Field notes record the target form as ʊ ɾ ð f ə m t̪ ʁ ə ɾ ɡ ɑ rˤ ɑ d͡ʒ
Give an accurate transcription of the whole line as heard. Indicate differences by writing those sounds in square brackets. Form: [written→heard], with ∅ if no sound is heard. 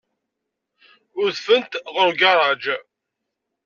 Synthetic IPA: ʊ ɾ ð f ə [m→n] t̪ ʁ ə ɾ ɡ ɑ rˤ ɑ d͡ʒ